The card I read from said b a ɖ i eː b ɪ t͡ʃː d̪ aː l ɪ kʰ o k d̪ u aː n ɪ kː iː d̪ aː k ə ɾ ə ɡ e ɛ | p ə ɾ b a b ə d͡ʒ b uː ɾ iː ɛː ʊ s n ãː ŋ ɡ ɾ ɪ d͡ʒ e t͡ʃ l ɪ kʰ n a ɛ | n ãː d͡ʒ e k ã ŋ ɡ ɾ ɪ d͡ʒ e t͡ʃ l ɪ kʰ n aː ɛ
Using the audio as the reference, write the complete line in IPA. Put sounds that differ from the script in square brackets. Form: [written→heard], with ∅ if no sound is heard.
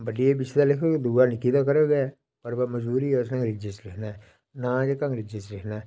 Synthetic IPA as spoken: b [a→ə] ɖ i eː b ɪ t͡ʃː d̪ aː l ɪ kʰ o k d̪ u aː n ɪ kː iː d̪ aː k ə ɾ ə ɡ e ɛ | p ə ɾ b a [b→m] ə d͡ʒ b uː ɾ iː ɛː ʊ s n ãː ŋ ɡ ɾ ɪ d͡ʒ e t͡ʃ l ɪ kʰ n a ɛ | n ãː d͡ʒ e k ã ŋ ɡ ɾ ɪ d͡ʒ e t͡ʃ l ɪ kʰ n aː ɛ